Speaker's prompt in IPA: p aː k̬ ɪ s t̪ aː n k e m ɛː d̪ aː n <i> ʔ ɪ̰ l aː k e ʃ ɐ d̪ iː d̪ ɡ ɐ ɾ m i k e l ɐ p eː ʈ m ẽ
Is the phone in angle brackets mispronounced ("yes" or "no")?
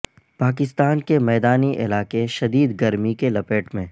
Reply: no